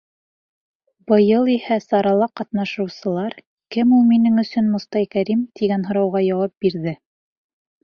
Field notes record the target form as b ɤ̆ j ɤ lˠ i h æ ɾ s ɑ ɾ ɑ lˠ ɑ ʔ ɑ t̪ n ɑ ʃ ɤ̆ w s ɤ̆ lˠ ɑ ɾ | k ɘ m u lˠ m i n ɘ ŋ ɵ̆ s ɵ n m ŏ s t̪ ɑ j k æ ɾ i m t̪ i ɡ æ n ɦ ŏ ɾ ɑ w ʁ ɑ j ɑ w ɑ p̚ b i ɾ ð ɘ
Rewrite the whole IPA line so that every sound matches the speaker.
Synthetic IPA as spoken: b ɤ̆ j ɤ lˠ i h æ s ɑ ɾ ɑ lˠ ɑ q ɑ t̪ n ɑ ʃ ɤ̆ w s ɤ̆ lˠ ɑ ɾ | k ɘ m u lˠ m i n ɘ ŋ ɵ̆ s ɵ n m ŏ s t̪ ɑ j k æ ɾ i m t̪ i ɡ æ n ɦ ŏ ɾ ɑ w ʁ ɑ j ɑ w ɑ p̚ b i ɾ ð ɘ